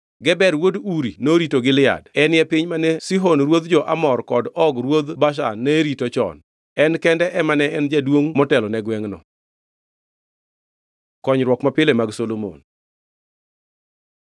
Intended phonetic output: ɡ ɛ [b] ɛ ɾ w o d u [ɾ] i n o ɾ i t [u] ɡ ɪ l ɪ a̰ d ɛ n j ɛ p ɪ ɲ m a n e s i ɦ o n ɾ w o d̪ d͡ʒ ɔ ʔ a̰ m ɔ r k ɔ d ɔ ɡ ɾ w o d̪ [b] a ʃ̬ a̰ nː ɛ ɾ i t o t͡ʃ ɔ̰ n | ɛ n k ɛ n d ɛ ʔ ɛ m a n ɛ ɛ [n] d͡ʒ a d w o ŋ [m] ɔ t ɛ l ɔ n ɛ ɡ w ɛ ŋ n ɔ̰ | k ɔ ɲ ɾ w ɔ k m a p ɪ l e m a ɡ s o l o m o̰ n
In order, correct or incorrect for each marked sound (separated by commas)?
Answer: correct, correct, incorrect, correct, correct, correct